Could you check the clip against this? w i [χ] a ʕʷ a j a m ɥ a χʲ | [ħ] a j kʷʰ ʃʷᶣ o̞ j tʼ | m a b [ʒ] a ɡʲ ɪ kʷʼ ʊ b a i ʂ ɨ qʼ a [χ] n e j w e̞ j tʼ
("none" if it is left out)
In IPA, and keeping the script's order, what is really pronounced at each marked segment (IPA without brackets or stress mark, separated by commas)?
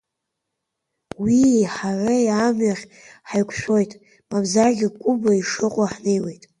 ħ, ħ, z, ħ